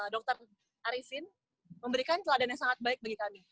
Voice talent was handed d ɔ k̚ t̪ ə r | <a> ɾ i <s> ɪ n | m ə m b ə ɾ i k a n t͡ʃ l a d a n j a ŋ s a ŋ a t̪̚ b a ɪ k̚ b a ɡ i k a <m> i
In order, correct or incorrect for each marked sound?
correct, correct, correct

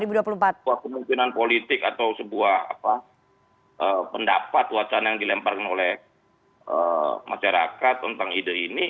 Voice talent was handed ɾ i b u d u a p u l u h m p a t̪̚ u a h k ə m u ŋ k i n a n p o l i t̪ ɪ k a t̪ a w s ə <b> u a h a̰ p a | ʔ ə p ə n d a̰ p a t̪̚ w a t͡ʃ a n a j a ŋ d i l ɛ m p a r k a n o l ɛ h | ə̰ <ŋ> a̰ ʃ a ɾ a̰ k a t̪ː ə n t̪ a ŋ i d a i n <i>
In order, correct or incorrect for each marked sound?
correct, incorrect: m, correct

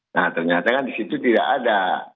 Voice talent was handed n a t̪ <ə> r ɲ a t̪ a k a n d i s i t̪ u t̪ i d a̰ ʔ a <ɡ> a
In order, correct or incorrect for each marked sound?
correct, incorrect: d

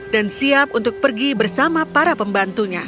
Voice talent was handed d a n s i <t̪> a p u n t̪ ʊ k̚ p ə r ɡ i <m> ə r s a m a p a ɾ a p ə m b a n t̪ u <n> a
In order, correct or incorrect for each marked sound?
incorrect: none, incorrect: b, incorrect: ɲ

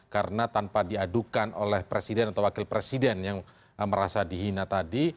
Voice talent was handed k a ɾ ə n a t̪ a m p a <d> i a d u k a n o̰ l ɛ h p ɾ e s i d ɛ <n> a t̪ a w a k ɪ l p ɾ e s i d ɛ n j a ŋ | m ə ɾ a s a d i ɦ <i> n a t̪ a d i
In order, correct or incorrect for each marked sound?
correct, correct, correct

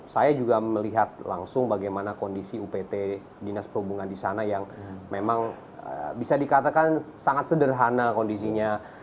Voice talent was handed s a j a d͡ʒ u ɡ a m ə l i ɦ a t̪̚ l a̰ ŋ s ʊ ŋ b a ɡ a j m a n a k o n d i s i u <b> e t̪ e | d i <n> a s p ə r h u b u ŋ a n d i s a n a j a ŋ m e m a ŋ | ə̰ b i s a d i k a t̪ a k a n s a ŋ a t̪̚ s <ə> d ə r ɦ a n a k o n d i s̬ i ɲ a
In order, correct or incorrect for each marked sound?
incorrect: p, correct, correct

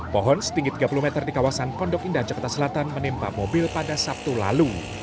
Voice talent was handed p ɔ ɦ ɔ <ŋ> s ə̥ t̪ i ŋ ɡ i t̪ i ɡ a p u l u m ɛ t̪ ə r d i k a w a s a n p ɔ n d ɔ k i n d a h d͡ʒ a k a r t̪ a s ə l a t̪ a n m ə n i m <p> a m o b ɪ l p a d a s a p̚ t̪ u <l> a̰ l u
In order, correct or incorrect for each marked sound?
incorrect: n, correct, correct

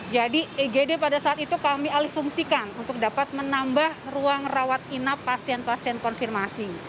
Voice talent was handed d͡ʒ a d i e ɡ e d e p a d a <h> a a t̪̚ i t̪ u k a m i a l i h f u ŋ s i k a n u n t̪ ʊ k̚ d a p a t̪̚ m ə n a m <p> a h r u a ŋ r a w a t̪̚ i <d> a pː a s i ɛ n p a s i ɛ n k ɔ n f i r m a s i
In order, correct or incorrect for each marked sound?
incorrect: s, incorrect: b, incorrect: n

